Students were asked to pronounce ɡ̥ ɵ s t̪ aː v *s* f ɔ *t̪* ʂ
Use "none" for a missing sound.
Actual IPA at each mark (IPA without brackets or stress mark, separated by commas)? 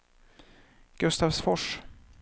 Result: s, none